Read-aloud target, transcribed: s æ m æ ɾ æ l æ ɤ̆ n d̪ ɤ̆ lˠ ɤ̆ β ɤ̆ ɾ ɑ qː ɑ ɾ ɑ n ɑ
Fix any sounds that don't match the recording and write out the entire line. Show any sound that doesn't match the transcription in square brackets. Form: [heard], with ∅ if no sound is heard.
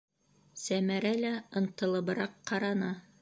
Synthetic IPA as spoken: s æ m æ ɾ æ l æ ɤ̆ n [t̪] ɤ̆ lˠ ɤ̆ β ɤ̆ ɾ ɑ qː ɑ ɾ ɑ n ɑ